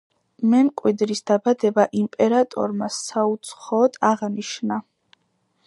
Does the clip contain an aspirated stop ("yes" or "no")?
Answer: no